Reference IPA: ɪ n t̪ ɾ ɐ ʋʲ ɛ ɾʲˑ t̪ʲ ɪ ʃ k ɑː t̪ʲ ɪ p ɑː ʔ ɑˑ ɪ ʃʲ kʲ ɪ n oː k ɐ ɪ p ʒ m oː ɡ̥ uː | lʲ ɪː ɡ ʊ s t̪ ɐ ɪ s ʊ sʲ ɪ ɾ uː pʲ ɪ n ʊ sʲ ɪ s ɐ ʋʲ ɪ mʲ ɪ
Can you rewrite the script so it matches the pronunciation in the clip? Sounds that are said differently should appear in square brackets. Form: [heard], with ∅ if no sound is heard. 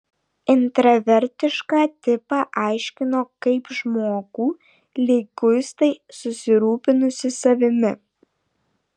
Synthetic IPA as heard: ɪ n t̪ ɾ ɐ ʋʲ ɛ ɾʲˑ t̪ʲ ɪ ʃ k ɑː t̪ʲ ɪ p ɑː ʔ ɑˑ ɪ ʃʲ kʲ ɪ n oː k ɐ ɪ p ʒ m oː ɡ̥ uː | lʲ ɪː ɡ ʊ s t̪ ɐ ɪ s ʊ sʲ ɪ ɾ uː pʲ ɪ n ʊ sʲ ɪ s ɐ ʋʲ ɪ mʲ ɪ